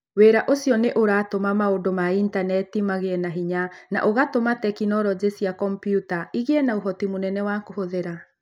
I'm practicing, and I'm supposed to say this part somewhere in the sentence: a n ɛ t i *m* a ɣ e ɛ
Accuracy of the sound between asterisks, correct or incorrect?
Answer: correct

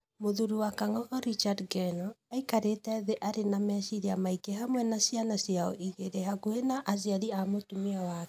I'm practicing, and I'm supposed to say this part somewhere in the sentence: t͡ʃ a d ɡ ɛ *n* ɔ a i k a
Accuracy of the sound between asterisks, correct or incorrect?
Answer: correct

